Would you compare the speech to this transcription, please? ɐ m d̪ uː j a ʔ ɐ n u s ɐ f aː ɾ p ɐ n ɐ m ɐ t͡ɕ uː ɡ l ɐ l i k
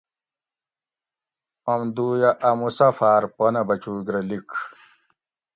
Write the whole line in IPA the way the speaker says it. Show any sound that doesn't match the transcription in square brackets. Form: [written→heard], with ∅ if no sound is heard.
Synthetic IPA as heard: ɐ m d̪ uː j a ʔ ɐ [n→m] u s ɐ f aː ɾ p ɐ n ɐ [m→b] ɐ t͡ɕ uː ɡ [l→ɾ] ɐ l i k

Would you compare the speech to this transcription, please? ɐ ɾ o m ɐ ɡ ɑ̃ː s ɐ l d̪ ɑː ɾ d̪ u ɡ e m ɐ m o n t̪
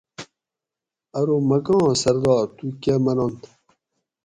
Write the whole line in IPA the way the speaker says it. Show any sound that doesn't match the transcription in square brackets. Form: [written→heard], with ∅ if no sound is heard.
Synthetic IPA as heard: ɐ ɾ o m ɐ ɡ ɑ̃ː s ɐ [l→ɾ] d̪ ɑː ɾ [d̪→t̪] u [ɡ→k] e m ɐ [m→n] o n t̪

